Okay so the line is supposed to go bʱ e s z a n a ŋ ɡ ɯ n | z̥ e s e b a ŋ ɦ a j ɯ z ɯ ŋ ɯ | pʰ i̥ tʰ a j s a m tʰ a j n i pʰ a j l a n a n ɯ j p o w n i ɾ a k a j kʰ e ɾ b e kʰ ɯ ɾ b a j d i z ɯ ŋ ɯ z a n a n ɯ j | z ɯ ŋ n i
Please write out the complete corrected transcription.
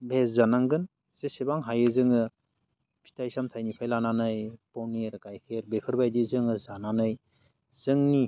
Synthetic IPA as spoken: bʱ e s z a n a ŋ ɡ ɯ n | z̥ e s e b a ŋ ɦ a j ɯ z ɯ ŋ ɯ | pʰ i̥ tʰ a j s a m tʰ a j n i pʰ a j l a n a n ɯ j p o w n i ɾ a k a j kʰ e ɾ b e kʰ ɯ ɾ b a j d i z ɯ ŋ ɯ z a n a n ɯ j | z ɯ ŋ n i